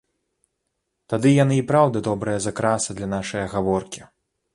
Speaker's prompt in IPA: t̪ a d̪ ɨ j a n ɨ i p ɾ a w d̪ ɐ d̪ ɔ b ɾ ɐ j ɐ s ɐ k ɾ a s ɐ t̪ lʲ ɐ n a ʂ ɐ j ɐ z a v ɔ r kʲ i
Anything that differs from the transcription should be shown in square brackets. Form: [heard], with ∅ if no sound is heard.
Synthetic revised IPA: t̪ a d̪ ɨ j a n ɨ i p ɾ a w d̪ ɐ d̪ ɔ b ɾ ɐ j ɐ [z] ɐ k ɾ a s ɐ [d̪] lʲ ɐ n a ʂ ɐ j ɐ [ɣ] a v ɔ r kʲ i